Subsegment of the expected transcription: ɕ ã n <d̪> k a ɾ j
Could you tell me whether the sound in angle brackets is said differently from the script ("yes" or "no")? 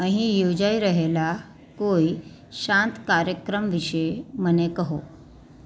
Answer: yes